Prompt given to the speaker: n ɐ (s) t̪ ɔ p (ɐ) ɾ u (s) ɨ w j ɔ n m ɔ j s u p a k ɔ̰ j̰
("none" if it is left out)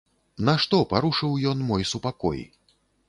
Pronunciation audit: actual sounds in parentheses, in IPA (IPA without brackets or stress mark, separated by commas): ʂ, a, ʂ